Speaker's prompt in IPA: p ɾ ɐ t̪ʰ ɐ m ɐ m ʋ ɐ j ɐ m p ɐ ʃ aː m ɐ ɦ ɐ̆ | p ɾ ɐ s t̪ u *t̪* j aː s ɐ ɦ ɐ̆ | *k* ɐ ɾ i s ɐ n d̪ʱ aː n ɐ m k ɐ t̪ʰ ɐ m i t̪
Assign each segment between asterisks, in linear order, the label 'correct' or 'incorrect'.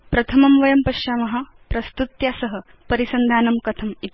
correct, incorrect

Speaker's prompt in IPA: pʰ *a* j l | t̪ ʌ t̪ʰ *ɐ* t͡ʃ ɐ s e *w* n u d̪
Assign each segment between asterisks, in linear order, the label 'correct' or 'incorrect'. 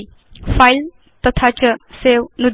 correct, incorrect, correct

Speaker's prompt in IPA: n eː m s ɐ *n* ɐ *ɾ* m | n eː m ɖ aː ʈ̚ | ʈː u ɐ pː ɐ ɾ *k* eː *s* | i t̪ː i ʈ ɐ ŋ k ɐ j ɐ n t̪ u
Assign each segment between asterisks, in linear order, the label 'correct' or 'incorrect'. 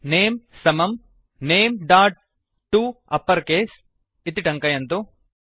incorrect, incorrect, correct, correct

